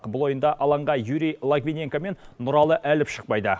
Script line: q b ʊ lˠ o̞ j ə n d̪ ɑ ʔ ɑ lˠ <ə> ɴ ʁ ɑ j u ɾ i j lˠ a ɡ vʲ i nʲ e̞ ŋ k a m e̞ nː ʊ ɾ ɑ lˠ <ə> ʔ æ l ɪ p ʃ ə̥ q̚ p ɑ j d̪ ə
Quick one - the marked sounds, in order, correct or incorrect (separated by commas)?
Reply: incorrect, correct